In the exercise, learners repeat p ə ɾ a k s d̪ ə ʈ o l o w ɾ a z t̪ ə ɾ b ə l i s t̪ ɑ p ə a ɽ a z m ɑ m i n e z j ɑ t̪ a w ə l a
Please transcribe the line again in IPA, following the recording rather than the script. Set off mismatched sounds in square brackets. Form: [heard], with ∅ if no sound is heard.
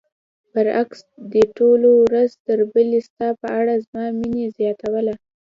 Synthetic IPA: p ə ɾ a k s d̪ ə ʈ o l o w ɾ a z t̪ ə ɾ b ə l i s t̪ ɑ p ə a ɽ a z m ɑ m i n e z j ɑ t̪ a w ə l a